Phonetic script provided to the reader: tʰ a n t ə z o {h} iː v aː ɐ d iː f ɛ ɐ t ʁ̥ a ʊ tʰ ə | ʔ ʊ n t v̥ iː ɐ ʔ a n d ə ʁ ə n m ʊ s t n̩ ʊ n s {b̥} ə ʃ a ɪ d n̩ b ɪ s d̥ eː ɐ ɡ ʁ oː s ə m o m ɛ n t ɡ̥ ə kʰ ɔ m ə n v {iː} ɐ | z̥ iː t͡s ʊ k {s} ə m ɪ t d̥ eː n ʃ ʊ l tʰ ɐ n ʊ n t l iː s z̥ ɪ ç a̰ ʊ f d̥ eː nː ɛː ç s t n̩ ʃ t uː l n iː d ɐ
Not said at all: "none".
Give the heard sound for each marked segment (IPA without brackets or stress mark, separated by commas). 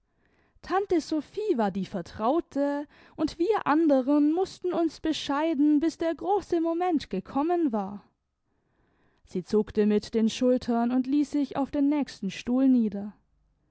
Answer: f, b̥, aː, t